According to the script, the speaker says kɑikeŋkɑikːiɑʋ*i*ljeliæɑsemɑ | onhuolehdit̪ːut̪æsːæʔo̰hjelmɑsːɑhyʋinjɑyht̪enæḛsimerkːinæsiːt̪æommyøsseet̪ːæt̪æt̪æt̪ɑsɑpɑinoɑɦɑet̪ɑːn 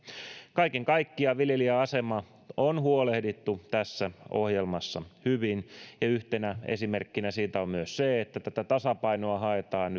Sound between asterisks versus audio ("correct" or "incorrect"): correct